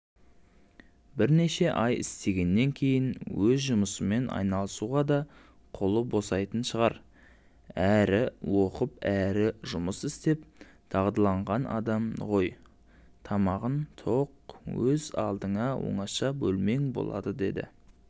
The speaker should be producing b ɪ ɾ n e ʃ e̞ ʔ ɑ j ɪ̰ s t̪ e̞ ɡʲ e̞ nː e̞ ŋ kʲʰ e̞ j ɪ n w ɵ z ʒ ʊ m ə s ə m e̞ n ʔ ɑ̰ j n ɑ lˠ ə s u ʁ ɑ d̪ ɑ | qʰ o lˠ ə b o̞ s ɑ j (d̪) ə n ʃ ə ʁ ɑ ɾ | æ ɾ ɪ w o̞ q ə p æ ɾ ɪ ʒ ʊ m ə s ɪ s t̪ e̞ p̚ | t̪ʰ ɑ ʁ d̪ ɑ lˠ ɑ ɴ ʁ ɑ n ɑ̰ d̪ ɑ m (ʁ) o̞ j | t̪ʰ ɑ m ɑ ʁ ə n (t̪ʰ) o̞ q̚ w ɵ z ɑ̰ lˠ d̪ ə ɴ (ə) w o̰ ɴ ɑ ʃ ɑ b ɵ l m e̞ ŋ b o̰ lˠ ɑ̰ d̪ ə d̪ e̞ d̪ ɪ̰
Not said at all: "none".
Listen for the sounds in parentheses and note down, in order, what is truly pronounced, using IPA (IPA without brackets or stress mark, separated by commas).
t̪, ʁ, t̪ʰ, ɑ